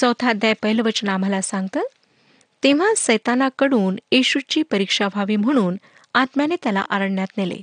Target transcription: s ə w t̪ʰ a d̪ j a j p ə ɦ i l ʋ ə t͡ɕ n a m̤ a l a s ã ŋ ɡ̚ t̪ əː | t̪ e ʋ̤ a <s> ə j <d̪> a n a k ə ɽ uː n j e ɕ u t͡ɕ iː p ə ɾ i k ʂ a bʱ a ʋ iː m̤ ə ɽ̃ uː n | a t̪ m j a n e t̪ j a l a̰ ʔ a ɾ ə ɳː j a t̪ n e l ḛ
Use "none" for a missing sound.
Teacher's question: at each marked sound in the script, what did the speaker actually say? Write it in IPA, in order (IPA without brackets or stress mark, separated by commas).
s, t̪